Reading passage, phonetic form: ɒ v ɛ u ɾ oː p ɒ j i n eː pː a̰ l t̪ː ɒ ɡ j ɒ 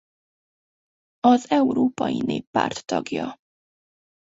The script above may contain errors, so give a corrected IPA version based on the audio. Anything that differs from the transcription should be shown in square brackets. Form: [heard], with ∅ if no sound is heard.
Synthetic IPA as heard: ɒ [z] ɛ [w] ɾ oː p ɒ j i n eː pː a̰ [r] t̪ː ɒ ɡ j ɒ